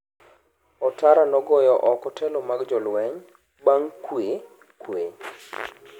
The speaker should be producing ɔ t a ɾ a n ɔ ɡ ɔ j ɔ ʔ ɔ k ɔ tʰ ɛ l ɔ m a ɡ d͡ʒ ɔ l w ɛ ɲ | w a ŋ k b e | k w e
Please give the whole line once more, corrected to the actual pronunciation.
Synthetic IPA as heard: ɔ t a ɾ a n ɔ ɡ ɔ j ɔ ʔ ɔ k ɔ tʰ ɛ l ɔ m a ɡ d͡ʒ ɔ l w ɛ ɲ | b a ŋ k w e | k w e

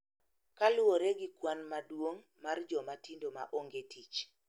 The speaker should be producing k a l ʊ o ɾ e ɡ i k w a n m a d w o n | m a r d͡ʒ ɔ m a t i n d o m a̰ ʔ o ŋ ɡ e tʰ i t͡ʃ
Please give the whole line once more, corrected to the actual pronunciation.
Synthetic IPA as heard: k a l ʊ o ɾ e ɡ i k w a n m a d w o ŋ | m a r d͡ʒ ɔ m a t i n d o m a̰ ʔ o ŋ ɡ e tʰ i t͡ʃ

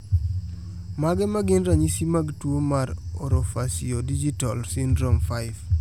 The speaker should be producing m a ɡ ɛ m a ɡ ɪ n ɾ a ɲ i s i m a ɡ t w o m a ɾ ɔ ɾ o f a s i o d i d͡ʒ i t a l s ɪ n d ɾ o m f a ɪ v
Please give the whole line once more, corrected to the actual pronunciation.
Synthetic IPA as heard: m a ɡ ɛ m a ɡ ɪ n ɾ a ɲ i s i m a ɡ t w o m a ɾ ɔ ɾ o f a s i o d i d͡ʒ i t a l s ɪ n d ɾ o m f a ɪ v

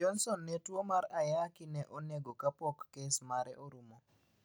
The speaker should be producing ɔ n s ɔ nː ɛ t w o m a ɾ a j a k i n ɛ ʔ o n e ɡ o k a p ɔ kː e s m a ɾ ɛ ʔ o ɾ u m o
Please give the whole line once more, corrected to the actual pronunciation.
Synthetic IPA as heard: ɔ n s ɔ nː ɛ t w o m a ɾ a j a k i n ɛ ʔ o n e ɡ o k a p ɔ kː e s m a ɾ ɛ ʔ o ɾ u m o

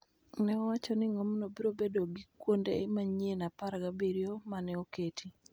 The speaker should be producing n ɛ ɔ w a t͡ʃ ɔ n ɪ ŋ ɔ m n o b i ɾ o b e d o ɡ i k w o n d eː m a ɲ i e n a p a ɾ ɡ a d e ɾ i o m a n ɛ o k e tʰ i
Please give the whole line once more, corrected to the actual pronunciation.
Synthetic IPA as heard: n ɛ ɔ w a t͡ʃ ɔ n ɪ ŋ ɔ m n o b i ɾ o b e d o ɡ i k w o n d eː m a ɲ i e n a p a ɾ ɡ a b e ɾ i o m a n ɛ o k e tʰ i

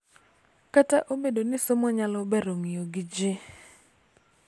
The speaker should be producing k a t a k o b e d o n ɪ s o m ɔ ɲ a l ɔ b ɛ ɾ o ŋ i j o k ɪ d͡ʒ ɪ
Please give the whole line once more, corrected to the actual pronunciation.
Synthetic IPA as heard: k a t a ʔ o b e d o n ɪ s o m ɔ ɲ a l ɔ b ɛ ɾ o ŋ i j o ɡ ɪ d͡ʒ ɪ

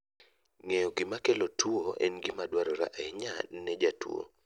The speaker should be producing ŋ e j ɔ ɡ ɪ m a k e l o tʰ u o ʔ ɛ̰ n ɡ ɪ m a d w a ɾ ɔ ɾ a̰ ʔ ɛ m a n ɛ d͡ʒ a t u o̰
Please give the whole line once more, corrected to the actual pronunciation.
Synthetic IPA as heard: ŋ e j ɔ ɡ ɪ m a k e l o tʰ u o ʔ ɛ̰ n ɡ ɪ m a d w a ɾ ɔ ɾ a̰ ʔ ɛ ɲ a n ɛ d͡ʒ a t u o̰

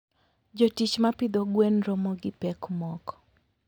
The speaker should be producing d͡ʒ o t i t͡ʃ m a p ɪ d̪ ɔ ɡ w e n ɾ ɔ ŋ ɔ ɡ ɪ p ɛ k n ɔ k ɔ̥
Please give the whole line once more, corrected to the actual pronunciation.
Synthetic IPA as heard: d͡ʒ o t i t͡ʃ m a p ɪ d̪ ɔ ɡ w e n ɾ ɔ m ɔ ɡ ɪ p ɛ k m ɔ k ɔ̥

